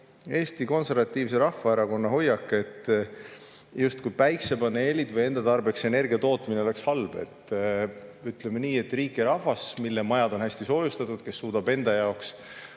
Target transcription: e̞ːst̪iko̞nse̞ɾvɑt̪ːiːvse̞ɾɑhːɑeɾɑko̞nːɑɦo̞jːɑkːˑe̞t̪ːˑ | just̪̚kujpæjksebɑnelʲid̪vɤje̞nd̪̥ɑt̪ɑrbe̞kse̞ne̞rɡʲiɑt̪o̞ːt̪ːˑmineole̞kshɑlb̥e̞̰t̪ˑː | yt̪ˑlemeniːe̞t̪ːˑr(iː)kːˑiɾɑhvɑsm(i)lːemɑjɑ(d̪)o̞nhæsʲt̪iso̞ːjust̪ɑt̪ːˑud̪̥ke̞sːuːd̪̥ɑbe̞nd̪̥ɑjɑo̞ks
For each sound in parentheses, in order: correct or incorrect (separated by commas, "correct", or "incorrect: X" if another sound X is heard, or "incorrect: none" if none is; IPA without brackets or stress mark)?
correct, correct, correct